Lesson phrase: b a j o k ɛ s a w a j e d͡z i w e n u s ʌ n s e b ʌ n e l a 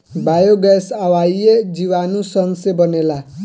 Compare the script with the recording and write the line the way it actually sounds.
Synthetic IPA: b a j o ɡ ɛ s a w a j e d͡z i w a n u s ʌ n s e b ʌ n e l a